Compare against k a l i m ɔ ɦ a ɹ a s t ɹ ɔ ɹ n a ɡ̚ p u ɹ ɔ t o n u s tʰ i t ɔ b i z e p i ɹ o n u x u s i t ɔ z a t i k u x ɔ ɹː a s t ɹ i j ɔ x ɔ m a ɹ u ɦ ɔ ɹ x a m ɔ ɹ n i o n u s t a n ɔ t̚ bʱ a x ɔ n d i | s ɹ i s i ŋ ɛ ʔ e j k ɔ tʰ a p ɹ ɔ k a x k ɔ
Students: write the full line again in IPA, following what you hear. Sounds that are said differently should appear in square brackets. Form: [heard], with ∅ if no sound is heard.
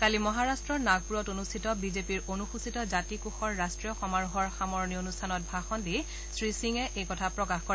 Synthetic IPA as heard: k a l i m ɔ ɦ a ɹ a s t ɹ ɔ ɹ n a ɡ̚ p u ɹ ɔ t o n u s tʰ i t ɔ b i z e p i ɹ o n u x u s i t ɔ z a t i k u x ɔ ɹː a s t ɹ i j ɔ x ɔ m a ɹ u ɦ ɔ ɹ x a m ɔ ɹ n i o n u s [tʰ] a n ɔ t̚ bʱ a x ɔ n d i | s ɹ i s i ŋ ɛ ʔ e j k ɔ tʰ a p ɹ ɔ k a x k ɔ